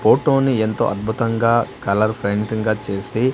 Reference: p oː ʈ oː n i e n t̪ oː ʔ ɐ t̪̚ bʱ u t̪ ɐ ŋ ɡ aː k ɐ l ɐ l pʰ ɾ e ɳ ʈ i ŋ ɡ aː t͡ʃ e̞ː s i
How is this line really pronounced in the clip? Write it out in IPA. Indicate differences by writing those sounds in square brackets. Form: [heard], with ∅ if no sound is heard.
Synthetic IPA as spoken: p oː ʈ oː n i e n t̪ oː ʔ ɐ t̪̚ bʱ u t̪ ɐ ŋ ɡ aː k ɐ l ɐ [ɾ] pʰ ɾ e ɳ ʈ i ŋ ɡ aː t͡ʃ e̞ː s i